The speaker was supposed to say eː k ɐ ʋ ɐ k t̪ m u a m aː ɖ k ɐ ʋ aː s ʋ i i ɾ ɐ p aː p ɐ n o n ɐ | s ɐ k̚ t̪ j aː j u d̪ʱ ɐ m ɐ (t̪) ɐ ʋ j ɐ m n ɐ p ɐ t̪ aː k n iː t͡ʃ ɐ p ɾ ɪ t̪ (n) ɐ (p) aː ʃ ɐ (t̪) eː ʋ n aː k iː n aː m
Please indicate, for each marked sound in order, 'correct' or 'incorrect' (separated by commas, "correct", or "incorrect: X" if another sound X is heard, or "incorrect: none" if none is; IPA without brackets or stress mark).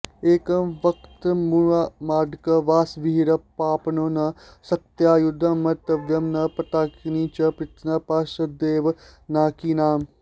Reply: correct, correct, correct, incorrect: d̪